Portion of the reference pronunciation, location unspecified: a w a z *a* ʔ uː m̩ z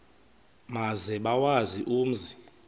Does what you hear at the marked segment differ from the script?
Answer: yes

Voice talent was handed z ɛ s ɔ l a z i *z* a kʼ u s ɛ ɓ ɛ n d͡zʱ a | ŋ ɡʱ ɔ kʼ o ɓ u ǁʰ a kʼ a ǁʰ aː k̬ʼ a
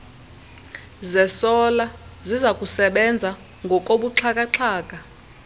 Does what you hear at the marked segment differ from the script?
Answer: no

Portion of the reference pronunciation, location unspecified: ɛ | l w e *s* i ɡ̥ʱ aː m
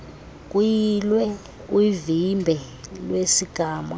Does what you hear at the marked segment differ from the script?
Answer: no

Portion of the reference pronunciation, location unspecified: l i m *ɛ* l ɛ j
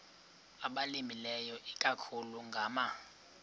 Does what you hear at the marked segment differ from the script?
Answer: yes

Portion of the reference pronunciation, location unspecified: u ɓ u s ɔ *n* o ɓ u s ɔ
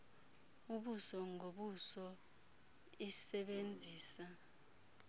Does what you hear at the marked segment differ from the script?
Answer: yes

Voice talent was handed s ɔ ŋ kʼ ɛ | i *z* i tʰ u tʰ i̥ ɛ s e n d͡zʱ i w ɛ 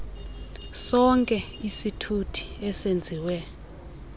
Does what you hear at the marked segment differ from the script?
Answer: yes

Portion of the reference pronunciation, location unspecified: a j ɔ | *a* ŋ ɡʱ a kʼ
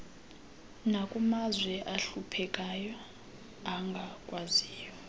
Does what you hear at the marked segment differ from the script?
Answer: no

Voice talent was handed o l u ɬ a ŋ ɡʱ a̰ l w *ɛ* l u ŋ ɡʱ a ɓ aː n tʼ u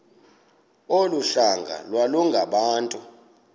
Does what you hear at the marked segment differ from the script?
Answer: yes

